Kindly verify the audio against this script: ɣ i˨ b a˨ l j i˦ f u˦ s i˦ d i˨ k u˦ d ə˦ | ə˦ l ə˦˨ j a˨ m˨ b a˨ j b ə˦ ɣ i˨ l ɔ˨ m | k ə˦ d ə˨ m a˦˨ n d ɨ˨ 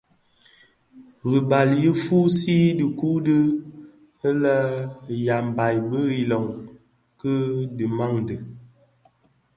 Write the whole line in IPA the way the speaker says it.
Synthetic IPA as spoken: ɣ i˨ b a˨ l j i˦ f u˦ s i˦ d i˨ k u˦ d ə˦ | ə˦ l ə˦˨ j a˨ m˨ b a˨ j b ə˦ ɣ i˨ l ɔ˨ ŋ | k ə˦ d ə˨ m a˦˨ ŋ d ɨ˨

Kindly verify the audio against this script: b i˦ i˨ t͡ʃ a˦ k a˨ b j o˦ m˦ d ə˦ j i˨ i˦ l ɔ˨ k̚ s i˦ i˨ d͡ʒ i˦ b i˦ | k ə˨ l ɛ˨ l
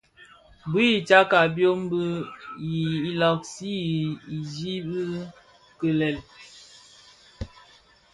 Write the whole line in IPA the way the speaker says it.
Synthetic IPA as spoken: b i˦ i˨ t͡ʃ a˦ k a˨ b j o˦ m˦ b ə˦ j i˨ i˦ l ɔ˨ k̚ s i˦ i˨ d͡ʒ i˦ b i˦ | k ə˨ l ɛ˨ l

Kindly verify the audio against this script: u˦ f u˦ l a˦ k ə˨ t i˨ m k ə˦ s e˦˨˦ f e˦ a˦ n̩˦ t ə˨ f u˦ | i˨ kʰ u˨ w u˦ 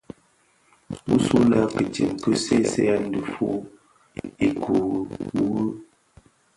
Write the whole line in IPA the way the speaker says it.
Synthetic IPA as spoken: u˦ s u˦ l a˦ k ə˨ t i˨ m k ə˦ s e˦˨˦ s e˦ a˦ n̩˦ d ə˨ f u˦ | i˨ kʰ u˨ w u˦

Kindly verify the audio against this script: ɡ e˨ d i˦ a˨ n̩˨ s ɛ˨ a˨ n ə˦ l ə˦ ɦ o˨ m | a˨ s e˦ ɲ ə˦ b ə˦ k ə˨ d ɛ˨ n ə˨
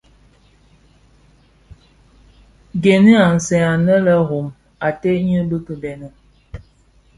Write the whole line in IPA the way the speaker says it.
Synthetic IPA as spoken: ɡ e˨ n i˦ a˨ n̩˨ s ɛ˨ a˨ n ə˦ l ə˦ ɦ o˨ m | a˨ t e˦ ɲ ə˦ b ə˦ k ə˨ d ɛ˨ n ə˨

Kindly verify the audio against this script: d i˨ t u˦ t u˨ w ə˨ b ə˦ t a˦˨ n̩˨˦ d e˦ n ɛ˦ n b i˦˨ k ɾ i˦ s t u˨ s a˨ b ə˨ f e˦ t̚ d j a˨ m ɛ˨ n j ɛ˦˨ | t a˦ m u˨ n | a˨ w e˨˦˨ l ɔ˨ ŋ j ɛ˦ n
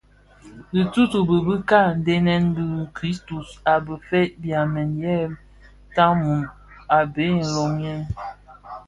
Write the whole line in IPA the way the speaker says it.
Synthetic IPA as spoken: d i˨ t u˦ t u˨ b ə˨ b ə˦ k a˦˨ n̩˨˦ d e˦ n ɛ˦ n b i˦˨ k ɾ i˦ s t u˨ s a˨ b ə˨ f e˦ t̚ b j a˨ m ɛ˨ n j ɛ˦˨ | t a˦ m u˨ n | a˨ b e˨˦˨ l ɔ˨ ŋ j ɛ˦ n

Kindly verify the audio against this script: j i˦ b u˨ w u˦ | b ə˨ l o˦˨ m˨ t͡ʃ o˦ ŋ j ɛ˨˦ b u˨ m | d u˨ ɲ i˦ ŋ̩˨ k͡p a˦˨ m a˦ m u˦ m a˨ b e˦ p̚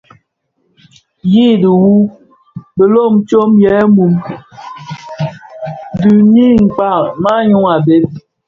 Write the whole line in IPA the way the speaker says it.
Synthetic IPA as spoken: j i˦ d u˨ w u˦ | b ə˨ l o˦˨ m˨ t͡ʃ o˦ m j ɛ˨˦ m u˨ m | d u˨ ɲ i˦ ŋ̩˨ k͡p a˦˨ m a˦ ɲ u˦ ŋ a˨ b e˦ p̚

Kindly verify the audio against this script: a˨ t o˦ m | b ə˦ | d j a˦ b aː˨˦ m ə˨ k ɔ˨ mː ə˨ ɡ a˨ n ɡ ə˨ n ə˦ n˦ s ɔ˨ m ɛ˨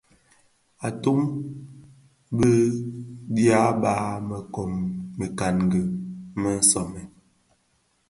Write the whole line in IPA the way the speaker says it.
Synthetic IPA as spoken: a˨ t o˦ m | b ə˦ | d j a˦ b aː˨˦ m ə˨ k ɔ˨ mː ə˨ k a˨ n ɡ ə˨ m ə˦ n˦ s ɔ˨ m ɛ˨

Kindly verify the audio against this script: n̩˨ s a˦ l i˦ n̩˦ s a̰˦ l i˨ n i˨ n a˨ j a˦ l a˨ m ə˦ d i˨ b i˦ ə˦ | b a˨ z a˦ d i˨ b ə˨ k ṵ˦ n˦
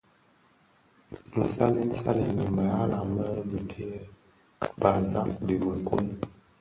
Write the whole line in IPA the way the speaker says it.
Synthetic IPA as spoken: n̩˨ s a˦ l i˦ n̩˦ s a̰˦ l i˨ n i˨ m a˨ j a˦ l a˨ m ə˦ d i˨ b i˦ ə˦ | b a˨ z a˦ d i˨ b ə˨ k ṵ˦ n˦

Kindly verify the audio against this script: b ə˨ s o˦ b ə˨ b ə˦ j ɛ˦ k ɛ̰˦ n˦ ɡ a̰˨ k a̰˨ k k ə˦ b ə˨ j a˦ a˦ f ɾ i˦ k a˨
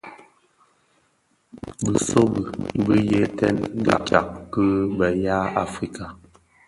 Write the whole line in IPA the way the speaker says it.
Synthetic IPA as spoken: b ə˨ s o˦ b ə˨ b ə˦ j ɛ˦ t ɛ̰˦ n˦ ɡ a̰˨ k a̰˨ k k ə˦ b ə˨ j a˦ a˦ f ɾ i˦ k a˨

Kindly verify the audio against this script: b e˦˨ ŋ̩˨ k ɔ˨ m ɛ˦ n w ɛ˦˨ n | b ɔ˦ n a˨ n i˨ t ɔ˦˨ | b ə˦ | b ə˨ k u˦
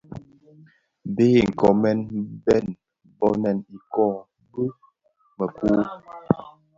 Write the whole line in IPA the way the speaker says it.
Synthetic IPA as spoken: b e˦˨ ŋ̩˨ k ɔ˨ m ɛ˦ n b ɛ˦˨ n | b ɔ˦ n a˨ n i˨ k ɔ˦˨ | b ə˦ | m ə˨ k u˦

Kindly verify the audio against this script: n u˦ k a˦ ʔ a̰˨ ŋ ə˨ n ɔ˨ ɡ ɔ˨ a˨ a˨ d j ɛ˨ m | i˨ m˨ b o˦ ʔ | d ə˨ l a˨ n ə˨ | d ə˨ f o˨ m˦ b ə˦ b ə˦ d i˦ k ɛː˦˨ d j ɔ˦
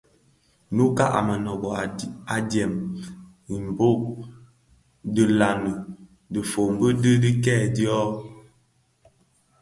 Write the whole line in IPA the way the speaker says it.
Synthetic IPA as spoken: n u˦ k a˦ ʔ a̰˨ m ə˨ n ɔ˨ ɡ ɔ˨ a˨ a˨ d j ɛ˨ m | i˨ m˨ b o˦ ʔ | d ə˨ l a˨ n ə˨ | d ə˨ f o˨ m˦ b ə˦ d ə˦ d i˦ k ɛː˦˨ d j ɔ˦

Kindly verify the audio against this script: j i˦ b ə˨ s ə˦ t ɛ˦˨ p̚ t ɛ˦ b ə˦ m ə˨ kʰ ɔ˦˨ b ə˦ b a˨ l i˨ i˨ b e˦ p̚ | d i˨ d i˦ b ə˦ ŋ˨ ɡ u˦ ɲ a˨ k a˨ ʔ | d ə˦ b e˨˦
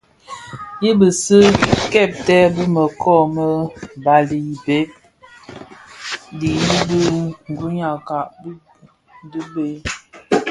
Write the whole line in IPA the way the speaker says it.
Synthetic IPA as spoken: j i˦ b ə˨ s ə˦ k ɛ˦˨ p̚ t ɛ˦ b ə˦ m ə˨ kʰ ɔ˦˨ m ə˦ b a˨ l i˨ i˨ b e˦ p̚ | d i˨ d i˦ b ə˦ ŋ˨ ɡ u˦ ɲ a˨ k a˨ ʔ | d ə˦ b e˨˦

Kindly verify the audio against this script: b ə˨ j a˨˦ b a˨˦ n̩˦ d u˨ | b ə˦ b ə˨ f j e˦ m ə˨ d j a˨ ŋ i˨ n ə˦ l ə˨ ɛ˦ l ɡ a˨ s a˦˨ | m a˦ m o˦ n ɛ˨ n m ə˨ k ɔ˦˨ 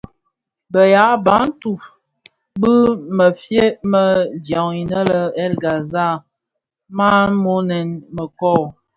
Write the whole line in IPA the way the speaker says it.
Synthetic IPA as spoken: b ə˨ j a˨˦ b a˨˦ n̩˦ t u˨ | b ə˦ m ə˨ f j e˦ m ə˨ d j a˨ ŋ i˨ n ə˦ l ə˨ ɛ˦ l ɡ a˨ z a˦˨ | m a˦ m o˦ n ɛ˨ n m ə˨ k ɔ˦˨

